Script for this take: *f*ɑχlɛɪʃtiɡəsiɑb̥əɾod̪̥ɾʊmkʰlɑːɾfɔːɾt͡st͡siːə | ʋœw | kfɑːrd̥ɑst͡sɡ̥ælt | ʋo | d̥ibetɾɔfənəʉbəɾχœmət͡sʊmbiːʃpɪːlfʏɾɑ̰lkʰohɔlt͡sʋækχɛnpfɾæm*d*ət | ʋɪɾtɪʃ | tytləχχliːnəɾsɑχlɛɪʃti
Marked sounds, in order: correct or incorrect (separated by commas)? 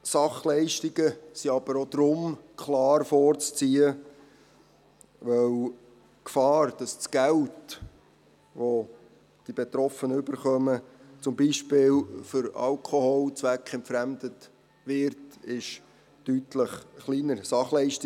incorrect, correct